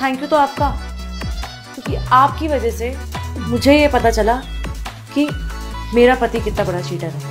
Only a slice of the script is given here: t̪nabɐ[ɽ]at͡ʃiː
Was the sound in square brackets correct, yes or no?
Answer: yes